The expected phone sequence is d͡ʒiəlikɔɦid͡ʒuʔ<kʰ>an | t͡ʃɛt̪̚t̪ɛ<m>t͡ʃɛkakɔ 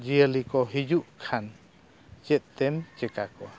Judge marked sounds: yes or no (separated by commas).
yes, yes